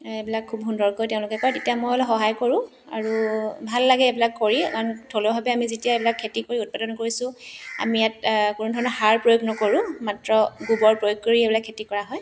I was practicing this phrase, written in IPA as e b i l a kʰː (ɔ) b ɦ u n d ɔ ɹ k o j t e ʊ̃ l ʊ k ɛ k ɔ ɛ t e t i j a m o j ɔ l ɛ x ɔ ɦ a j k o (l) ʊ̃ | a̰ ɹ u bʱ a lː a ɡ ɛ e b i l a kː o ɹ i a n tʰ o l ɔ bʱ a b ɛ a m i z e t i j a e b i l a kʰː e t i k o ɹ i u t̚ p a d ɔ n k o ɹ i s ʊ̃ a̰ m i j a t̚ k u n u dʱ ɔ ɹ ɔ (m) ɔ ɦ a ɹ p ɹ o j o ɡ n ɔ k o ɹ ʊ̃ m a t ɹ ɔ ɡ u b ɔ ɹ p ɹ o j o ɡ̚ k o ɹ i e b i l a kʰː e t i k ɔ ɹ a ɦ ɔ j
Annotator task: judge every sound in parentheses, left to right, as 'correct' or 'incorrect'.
incorrect: u, incorrect: ɹ, incorrect: n

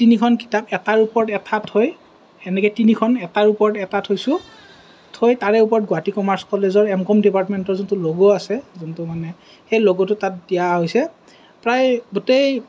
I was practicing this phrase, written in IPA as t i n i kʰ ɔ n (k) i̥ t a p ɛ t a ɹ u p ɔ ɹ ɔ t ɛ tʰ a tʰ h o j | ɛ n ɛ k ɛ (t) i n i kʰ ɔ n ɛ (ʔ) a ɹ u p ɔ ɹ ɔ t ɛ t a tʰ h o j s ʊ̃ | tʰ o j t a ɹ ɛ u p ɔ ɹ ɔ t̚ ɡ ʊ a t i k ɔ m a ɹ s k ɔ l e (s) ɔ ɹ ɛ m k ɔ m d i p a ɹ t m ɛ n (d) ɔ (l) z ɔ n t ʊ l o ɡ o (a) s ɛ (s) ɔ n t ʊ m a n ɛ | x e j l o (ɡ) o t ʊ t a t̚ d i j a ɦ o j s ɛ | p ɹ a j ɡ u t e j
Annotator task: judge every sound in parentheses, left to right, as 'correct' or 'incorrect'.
correct, correct, incorrect: t, incorrect: z, incorrect: t, incorrect: ɹ, correct, incorrect: z, correct

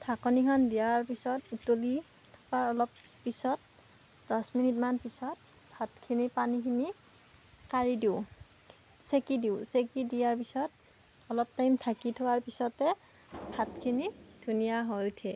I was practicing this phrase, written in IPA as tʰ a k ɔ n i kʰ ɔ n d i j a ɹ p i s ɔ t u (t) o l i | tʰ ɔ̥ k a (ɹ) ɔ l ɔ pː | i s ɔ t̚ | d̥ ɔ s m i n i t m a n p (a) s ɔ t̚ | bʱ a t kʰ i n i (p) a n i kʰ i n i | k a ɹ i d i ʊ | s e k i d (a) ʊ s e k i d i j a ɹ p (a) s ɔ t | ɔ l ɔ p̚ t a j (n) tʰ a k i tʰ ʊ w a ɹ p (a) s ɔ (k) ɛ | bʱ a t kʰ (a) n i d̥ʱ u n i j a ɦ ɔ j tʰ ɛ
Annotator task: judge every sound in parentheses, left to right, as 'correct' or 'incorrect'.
correct, correct, incorrect: i, correct, incorrect: i, incorrect: i, incorrect: m, incorrect: i, incorrect: t, incorrect: i

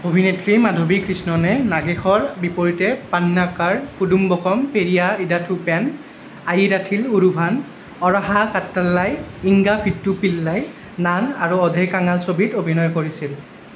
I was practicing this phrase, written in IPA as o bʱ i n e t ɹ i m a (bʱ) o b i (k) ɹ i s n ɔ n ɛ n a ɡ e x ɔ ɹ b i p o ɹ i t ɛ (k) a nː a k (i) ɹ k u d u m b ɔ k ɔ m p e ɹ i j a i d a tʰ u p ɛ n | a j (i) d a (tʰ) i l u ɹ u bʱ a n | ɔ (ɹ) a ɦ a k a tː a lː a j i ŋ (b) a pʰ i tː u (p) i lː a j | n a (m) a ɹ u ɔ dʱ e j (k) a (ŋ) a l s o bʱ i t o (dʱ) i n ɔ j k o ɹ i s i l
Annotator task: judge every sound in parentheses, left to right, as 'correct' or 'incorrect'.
incorrect: dʱ, correct, incorrect: p, incorrect: a, correct, correct, correct, incorrect: ɡ, correct, incorrect: n, correct, correct, incorrect: bʱ

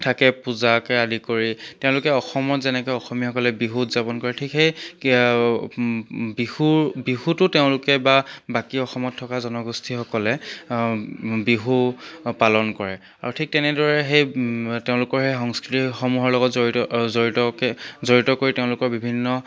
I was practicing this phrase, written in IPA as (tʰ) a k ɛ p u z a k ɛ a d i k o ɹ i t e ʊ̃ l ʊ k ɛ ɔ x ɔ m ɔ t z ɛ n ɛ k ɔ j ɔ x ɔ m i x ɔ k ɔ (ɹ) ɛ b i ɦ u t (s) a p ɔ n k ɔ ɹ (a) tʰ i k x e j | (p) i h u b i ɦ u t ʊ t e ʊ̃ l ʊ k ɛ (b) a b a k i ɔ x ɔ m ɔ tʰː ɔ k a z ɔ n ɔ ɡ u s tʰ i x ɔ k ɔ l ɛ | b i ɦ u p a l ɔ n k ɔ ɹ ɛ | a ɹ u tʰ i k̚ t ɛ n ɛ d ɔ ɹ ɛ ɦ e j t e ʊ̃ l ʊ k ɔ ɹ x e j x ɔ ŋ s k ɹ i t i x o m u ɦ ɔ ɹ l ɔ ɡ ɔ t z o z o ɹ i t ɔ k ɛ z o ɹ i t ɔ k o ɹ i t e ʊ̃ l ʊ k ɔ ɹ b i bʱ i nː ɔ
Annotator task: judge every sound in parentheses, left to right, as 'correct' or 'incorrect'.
correct, incorrect: l, incorrect: z, incorrect: ɛ, incorrect: b, correct

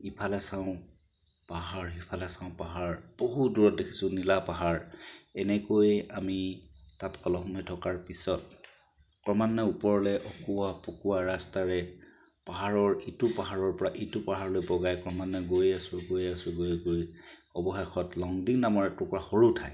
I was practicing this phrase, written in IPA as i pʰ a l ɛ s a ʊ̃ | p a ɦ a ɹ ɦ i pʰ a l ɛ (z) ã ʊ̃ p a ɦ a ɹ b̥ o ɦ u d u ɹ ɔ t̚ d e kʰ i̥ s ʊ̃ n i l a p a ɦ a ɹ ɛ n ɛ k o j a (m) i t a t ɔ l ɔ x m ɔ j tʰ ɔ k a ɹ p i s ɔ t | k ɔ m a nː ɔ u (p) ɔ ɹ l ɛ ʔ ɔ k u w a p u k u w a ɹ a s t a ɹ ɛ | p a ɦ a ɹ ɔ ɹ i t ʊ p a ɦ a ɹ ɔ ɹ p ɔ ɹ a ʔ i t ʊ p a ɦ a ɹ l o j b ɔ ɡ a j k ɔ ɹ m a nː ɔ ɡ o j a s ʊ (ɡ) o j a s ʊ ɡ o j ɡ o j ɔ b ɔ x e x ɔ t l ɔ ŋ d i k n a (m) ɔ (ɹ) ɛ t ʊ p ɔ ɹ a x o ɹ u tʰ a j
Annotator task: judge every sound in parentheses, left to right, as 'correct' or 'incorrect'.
incorrect: s, correct, correct, correct, correct, correct

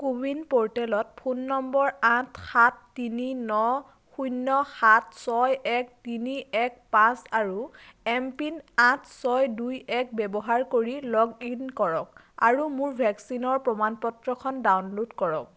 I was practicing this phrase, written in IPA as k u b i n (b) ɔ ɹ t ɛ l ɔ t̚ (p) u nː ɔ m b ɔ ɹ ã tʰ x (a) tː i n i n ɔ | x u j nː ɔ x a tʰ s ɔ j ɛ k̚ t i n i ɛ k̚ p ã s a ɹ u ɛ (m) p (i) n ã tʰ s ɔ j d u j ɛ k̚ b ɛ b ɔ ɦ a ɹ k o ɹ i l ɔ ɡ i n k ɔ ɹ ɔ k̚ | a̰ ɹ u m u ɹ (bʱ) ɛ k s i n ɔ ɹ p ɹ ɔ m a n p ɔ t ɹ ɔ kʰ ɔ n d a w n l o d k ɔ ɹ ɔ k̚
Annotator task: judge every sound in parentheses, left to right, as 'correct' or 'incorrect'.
incorrect: p, incorrect: pʰ, correct, correct, correct, correct

